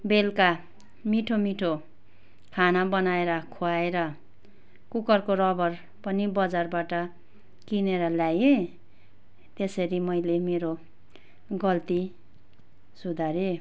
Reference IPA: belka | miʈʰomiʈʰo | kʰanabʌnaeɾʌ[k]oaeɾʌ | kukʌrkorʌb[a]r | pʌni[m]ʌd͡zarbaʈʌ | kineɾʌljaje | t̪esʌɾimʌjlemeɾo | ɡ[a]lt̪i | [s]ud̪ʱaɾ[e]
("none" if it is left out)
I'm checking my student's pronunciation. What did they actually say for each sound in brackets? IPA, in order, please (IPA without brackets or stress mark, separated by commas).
kʰ, ʌ, b, ʌ, s, e